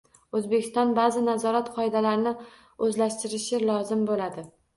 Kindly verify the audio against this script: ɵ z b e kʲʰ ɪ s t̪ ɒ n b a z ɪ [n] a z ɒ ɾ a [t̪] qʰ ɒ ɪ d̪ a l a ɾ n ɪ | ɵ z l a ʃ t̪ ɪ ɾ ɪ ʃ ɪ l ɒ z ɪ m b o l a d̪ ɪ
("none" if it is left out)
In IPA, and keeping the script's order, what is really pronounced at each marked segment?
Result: n, t̪

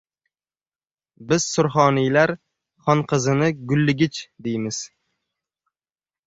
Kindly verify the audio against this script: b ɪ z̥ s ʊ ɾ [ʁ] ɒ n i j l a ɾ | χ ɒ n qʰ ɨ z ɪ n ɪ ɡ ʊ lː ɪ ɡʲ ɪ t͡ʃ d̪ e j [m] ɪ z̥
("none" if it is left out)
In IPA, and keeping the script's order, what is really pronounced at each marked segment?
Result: χ, m

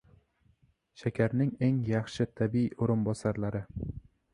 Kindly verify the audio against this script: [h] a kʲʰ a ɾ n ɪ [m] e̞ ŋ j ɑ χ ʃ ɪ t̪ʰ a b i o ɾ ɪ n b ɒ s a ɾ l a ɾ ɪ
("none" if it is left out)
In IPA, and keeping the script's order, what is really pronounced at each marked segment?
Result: ʃ, ŋ

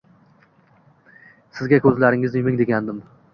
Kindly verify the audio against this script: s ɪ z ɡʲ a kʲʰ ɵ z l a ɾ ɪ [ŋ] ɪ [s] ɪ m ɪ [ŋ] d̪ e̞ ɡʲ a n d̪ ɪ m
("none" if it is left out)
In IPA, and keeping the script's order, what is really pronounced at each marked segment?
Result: ŋ, z, ŋ

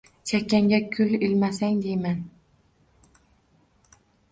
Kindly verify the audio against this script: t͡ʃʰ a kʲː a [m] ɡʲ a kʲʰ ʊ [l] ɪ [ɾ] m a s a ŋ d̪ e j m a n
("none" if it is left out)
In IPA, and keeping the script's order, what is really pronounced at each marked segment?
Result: ŋ, l, l

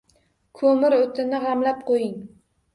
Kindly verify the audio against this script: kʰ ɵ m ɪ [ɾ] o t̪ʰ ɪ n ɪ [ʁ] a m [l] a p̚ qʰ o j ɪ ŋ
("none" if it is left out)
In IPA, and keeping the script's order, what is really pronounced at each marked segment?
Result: ɾ, ʁ, l

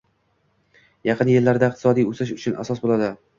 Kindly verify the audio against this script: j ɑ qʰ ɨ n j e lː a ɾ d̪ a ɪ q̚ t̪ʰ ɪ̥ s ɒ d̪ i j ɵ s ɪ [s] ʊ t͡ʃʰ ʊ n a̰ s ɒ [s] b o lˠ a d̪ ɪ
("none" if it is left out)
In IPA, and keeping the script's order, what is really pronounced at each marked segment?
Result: ʃ, s

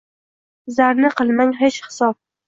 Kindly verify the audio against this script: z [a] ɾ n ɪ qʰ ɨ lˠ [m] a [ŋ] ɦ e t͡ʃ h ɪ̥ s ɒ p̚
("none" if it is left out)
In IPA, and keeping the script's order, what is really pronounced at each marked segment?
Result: a, m, ŋ

